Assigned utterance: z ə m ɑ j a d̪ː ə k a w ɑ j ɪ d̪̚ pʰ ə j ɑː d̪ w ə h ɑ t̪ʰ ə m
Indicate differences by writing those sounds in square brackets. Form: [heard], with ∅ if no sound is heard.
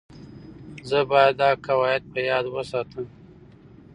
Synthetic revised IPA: z ə [b] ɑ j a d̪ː [ɑ] k a w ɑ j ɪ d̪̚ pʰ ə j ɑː d̪ w ə [s] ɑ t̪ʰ ə m